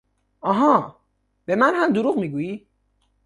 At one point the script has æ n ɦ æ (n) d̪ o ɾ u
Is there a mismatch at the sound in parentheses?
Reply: yes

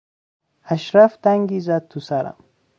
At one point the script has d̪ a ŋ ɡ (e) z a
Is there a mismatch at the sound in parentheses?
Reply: yes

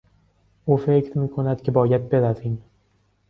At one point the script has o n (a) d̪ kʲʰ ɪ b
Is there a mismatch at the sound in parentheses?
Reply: no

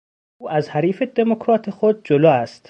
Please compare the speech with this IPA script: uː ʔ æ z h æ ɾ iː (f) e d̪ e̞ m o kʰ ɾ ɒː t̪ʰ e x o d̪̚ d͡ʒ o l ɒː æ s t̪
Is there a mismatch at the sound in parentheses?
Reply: no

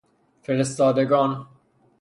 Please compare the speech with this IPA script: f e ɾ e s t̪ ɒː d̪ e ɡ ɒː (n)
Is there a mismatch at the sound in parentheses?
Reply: no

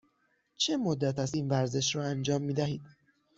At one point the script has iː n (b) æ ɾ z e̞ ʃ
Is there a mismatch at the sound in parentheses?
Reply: yes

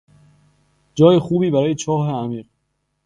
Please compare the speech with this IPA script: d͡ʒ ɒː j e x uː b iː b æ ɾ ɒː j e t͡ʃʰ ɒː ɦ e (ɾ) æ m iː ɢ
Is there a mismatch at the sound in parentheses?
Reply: yes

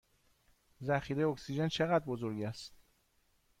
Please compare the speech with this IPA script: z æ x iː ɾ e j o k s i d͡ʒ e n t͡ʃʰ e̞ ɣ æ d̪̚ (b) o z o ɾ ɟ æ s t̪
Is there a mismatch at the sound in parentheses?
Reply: no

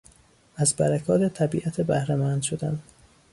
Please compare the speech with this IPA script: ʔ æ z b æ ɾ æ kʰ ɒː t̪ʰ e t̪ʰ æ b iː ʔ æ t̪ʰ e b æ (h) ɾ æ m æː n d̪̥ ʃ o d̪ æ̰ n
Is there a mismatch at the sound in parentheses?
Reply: no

